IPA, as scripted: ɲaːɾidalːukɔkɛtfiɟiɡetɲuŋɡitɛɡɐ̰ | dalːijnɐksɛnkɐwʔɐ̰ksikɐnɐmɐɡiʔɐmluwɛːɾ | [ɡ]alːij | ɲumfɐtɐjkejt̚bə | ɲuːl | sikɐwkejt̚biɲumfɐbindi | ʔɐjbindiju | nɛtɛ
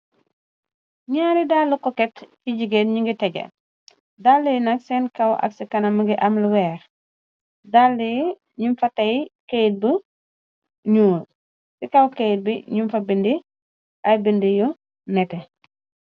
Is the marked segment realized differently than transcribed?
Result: yes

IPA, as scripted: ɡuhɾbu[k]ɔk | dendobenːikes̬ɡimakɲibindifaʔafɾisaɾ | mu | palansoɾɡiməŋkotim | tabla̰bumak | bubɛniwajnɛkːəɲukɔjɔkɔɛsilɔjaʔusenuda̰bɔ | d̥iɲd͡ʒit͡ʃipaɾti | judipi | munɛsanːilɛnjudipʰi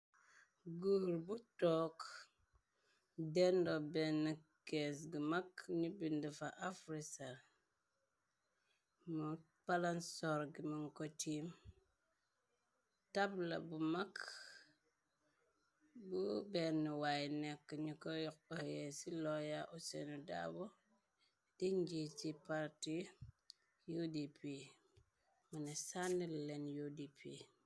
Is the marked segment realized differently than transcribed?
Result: yes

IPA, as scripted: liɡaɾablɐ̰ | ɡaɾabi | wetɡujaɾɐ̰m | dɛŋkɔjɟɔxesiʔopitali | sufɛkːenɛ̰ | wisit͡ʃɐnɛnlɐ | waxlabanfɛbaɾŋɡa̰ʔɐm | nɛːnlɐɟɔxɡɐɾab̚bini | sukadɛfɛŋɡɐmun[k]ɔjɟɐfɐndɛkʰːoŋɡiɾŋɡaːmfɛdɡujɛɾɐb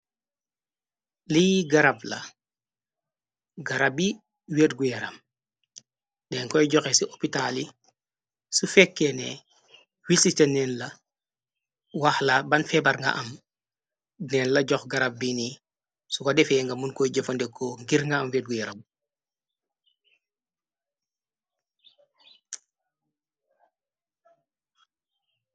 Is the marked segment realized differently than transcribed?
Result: no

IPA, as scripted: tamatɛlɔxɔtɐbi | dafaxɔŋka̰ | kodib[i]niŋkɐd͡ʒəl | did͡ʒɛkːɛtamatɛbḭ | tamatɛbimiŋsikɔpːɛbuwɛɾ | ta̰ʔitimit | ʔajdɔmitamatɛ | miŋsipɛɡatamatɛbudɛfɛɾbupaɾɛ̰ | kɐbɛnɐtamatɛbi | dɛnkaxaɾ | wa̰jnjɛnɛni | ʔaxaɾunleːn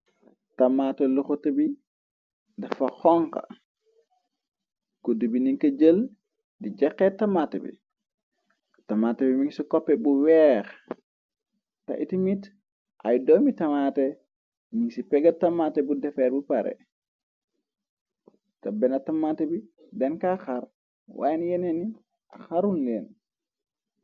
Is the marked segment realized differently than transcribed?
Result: no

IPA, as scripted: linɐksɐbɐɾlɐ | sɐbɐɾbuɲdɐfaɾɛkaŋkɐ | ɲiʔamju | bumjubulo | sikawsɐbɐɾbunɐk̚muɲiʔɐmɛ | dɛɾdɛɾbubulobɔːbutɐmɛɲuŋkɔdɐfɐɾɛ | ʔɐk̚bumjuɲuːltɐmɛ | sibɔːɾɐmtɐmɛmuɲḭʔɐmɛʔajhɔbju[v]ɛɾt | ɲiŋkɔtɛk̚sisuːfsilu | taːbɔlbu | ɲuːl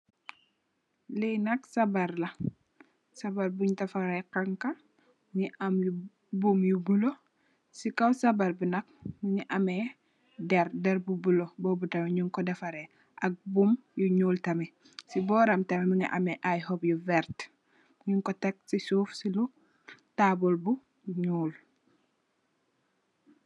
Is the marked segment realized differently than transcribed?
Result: no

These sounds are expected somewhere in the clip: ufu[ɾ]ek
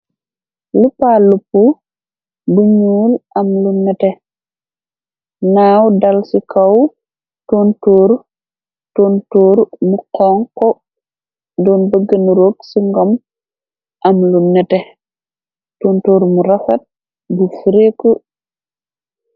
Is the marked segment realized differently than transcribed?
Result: no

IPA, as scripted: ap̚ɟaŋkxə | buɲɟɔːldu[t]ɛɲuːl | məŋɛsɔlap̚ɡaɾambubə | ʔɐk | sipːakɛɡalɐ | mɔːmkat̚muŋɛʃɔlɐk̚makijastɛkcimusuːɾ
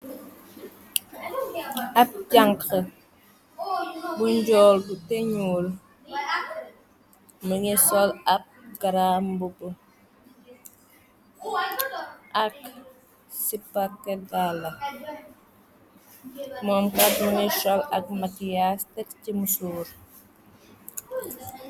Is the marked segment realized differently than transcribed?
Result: no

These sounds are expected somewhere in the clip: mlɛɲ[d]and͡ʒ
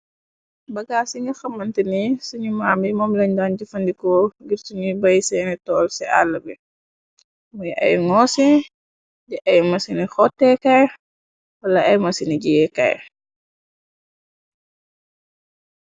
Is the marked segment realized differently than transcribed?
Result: no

